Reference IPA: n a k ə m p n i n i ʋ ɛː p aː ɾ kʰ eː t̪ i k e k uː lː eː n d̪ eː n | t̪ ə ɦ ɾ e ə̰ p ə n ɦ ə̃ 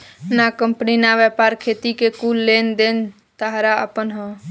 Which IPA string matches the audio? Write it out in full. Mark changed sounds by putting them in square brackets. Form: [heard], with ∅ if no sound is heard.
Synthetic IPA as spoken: n a k ə m p n i n [a] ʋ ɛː p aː ɾ kʰ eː t̪ i k e k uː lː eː n d̪ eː n | t̪ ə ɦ ɾ [a] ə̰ p ə n ɦ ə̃